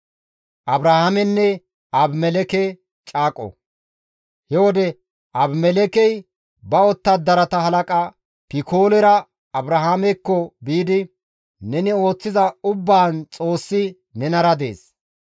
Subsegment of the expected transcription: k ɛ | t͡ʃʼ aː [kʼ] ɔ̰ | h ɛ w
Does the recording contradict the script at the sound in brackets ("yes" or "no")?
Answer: no